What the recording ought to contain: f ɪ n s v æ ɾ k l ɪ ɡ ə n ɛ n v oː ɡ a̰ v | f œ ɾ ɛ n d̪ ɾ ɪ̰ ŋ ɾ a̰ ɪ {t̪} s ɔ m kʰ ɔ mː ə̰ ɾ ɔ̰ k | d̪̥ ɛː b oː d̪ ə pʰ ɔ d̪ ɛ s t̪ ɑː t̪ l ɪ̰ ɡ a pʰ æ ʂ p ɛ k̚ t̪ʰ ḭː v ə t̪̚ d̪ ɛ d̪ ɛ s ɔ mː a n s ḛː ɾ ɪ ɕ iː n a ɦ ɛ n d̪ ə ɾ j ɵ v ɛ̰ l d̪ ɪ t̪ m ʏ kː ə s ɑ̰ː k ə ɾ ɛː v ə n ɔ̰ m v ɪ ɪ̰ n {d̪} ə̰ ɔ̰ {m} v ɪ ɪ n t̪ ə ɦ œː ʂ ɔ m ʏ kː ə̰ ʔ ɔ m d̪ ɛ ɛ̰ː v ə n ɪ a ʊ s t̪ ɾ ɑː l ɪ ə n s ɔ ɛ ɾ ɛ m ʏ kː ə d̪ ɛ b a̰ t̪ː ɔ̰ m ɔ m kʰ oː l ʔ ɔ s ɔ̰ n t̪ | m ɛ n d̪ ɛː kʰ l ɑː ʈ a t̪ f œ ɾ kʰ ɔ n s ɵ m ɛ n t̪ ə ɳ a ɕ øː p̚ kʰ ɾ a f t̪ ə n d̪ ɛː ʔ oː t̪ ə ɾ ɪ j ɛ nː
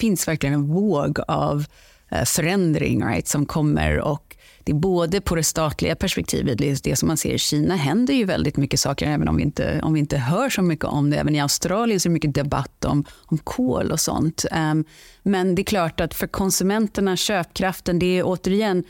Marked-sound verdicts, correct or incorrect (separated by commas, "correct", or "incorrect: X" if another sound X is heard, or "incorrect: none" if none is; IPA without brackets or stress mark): correct, incorrect: t̪, correct